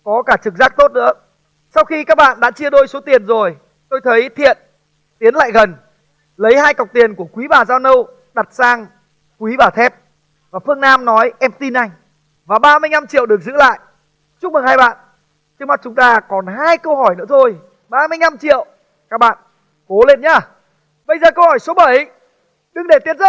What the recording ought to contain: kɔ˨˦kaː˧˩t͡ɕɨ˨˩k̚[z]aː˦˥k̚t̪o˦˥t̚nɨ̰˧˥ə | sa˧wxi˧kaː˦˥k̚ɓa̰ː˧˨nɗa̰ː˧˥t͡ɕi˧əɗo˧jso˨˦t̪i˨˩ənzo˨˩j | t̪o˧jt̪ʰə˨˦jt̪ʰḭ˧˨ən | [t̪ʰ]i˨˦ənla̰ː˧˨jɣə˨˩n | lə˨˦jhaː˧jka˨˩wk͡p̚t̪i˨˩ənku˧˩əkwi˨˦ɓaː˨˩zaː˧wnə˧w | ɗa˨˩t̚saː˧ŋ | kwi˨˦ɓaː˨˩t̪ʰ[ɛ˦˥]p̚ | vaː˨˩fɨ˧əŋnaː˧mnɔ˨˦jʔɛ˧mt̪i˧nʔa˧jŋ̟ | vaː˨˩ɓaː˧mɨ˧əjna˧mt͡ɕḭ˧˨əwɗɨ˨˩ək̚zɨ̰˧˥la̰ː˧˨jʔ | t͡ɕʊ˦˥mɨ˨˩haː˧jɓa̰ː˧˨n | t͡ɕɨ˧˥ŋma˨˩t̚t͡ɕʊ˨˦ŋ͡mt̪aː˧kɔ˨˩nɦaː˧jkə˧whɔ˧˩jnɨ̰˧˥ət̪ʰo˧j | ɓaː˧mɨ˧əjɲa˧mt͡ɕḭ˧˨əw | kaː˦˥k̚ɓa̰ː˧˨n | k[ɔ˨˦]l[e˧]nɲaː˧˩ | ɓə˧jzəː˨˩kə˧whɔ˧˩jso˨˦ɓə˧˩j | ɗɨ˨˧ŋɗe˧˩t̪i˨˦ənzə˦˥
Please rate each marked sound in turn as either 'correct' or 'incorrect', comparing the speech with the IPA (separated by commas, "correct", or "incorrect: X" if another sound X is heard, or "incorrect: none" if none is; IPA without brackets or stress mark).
correct, incorrect: t̪, correct, incorrect: o˨˦, correct